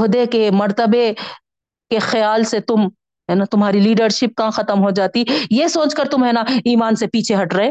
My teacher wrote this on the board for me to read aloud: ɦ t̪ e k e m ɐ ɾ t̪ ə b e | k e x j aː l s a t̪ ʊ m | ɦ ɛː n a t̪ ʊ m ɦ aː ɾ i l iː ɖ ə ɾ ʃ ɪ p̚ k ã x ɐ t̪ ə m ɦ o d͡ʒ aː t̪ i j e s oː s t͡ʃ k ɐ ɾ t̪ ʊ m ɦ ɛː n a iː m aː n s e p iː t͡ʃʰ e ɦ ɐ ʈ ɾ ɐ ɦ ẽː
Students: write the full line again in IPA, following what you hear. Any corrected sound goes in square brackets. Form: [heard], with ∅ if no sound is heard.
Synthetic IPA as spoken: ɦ [d̪] e k e m ɐ ɾ t̪ ə b e | k e x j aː l s [e] t̪ ʊ m | ɦ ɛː n a t̪ ʊ m ɦ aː ɾ i l iː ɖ ə ɾ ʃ ɪ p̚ k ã x ɐ t̪ ə m ɦ o d͡ʒ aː t̪ i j e s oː [∅] t͡ʃ k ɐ ɾ t̪ ʊ m ɦ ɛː n a iː m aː n s e p iː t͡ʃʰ e ɦ ɐ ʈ ɾ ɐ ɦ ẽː